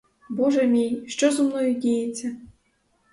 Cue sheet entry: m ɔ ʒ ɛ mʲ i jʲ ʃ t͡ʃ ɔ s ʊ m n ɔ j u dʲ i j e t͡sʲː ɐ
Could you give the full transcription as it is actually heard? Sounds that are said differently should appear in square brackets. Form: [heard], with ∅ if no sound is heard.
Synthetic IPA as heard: [b] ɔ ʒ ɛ mʲ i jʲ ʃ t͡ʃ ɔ [z] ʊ m n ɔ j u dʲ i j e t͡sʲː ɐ